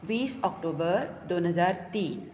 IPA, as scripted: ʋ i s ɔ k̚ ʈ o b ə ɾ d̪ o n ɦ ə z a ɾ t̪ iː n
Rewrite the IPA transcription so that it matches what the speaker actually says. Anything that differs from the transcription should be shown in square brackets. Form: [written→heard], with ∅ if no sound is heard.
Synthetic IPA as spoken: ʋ i s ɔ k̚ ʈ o b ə ɾ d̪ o n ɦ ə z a ɾ t̪ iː n